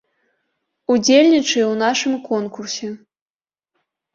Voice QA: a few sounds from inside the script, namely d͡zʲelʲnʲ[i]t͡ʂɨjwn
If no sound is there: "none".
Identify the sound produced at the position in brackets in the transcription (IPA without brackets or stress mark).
i